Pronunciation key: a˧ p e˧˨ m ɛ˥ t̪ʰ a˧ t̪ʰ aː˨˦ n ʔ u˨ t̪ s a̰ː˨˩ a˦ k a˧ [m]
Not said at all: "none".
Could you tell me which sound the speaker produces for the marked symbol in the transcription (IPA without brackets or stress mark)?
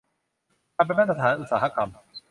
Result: m